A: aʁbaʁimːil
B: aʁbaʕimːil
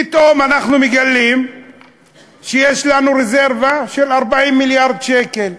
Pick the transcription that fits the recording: B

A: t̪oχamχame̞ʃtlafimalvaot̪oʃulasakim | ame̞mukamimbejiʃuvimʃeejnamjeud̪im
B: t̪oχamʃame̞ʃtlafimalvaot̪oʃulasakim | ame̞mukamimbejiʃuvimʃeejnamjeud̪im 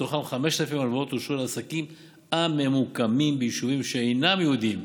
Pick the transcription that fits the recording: A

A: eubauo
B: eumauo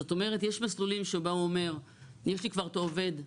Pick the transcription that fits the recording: A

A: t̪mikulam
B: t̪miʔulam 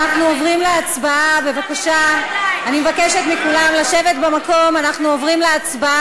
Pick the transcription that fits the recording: A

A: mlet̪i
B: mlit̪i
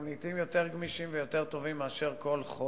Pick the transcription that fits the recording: B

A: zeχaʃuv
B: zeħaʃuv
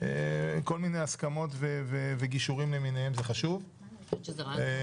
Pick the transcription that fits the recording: A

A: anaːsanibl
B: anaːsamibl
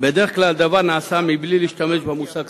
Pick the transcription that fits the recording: B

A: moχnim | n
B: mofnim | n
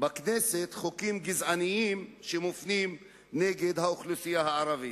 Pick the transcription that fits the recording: B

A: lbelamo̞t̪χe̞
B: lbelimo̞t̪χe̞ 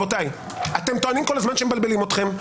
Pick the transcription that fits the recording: B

